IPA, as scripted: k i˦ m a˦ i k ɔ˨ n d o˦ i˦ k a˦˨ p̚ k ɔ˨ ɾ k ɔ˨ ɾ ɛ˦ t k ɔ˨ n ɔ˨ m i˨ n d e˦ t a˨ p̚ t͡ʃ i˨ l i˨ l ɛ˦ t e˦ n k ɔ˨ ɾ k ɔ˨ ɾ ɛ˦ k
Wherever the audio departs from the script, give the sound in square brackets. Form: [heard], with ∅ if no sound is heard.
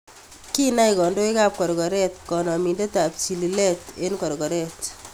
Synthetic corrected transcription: k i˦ [n] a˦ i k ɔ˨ n d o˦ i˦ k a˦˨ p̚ k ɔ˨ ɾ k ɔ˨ ɾ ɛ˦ t k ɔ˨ n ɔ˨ m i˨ n d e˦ t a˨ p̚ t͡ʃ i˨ l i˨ l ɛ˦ t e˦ n k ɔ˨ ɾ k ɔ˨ ɾ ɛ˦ [t]